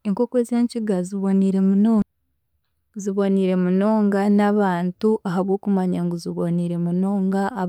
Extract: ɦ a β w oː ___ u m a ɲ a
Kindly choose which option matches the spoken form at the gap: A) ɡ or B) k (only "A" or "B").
B